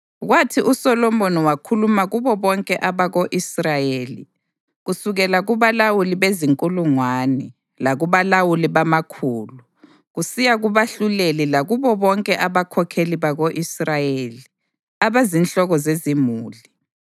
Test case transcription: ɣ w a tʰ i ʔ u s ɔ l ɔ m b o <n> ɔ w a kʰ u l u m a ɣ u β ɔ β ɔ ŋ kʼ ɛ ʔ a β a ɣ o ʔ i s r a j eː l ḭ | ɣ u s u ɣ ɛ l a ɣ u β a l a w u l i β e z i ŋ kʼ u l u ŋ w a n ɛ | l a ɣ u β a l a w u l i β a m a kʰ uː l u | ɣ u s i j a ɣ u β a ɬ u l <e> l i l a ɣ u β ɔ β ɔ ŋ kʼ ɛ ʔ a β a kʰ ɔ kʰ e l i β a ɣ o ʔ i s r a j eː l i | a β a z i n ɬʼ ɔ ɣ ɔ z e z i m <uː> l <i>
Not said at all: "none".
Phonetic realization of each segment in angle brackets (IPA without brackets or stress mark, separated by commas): n, e, uː, i